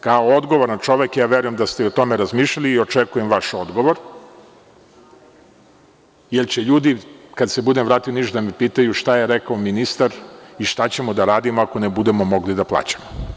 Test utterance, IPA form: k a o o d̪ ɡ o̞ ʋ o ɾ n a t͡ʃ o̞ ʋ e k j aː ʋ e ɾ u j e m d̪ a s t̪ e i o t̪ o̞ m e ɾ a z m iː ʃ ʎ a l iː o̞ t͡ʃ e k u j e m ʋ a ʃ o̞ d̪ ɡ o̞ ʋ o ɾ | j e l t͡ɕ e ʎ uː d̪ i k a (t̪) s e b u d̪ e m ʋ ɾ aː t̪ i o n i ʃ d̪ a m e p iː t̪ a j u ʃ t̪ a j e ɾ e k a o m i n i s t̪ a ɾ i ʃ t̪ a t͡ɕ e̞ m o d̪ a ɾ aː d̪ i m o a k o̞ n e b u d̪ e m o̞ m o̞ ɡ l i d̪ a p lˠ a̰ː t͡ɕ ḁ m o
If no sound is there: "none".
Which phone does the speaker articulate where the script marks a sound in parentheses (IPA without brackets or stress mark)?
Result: d̪